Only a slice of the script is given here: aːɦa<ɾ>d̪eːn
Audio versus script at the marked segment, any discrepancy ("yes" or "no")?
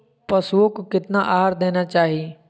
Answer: no